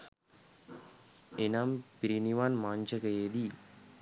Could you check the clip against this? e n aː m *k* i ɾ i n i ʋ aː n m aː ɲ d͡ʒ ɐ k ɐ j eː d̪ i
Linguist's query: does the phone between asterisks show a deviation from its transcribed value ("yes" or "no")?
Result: yes